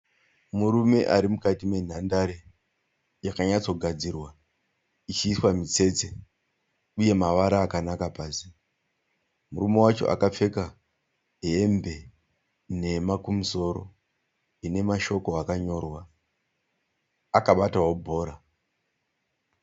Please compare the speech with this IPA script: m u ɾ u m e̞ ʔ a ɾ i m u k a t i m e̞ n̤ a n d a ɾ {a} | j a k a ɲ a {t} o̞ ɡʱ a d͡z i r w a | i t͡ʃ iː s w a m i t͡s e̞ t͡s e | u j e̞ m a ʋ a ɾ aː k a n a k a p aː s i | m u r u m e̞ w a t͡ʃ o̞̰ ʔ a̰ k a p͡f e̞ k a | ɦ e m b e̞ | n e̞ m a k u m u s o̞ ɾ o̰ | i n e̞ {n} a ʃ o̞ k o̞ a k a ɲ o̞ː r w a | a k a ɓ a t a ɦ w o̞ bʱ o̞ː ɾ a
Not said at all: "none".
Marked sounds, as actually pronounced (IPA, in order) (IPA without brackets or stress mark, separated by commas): e, t͡s, m